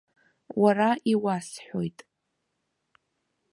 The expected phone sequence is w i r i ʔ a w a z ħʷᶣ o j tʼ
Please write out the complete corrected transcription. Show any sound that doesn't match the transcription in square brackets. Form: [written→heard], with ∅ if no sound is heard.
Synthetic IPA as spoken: w [i→a] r [i→a] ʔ [a→i] w a [z→s] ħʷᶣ o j tʼ